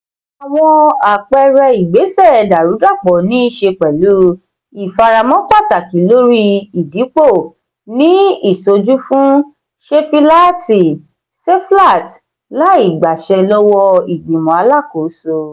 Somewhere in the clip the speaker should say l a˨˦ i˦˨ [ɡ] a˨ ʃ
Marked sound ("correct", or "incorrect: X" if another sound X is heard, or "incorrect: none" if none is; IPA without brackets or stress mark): incorrect: ɡ͡b